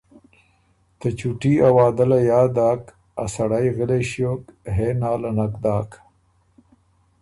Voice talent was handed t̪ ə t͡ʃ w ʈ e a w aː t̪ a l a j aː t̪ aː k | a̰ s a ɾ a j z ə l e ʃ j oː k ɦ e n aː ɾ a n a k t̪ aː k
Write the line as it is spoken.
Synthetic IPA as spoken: t̪ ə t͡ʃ u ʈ i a w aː d̪ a l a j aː d̪ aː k | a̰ s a ɽ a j ɣ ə l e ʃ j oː k ɦ e n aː l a n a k d̪ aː k